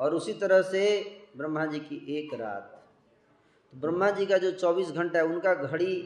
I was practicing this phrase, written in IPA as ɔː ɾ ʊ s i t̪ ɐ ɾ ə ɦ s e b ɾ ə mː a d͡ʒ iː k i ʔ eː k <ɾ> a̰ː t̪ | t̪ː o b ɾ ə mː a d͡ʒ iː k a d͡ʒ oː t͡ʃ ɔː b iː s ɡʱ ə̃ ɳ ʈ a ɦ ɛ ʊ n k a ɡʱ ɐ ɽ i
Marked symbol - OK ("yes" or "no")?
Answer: yes